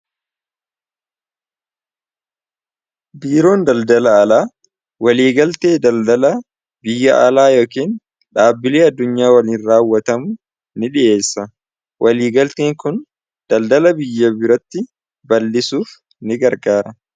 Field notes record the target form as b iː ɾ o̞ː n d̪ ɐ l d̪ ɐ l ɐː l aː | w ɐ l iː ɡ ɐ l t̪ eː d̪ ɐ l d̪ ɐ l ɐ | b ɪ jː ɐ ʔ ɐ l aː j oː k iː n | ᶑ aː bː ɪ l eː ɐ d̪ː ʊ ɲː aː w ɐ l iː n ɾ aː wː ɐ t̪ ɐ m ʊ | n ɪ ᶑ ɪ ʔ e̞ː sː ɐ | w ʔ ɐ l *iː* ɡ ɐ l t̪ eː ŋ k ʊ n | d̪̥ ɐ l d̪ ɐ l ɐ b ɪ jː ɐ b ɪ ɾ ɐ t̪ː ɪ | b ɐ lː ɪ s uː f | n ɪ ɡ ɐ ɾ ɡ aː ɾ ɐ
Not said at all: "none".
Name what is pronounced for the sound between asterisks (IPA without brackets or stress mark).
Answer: iː